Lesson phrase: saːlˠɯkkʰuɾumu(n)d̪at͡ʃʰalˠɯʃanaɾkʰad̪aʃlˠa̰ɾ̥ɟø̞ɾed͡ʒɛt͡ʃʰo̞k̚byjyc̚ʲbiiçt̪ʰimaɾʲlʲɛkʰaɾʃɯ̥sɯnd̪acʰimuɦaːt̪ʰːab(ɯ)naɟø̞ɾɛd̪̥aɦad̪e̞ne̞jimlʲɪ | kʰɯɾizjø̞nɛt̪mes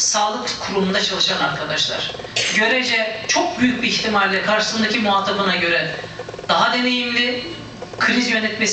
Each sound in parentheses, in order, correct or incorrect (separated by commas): correct, correct